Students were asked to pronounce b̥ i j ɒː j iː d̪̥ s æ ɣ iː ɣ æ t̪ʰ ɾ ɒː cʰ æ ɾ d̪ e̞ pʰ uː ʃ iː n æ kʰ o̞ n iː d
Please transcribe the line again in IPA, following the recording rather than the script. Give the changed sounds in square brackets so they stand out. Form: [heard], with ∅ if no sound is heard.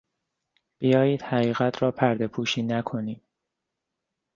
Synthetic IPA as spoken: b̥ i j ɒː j iː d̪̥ [h] æ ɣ iː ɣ æ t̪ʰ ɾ ɒː [pʰ] æ ɾ d̪ e̞ pʰ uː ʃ iː n æ kʰ o̞ n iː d